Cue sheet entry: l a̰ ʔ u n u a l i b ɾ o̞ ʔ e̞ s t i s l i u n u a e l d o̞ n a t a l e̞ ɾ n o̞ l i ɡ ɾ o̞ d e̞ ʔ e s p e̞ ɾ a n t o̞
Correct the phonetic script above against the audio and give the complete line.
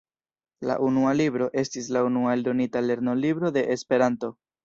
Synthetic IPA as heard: l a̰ ʔ u n u a l i b ɾ o̞ ʔ e̞ s t i s l a u n u a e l d o̞ n i t a l e̞ ɾ n o̞ l i b ɾ o̞ d e̞ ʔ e s p e̞ ɾ a n t o̞